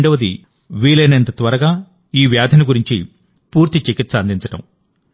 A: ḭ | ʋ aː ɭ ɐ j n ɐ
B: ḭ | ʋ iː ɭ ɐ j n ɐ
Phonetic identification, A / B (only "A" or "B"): B